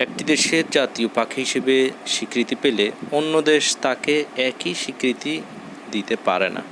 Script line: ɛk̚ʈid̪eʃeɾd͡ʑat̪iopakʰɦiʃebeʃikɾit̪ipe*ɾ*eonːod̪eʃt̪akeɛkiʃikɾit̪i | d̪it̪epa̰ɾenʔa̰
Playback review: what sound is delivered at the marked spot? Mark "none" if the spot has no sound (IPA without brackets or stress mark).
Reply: l